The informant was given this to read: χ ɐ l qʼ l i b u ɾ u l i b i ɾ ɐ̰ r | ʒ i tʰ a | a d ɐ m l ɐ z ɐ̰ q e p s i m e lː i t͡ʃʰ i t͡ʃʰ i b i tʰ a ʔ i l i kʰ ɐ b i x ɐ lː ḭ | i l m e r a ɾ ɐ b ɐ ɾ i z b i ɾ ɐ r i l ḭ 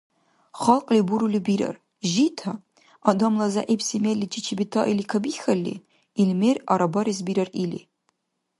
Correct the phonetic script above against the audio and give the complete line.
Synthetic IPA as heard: χ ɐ l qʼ l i b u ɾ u l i b i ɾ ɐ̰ r | ʒ i tʰ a | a d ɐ m l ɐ z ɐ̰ ʔ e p s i m e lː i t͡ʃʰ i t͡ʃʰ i b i tʰ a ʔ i l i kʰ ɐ b i x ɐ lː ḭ | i l m e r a ɾ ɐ b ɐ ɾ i z b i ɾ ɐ r i l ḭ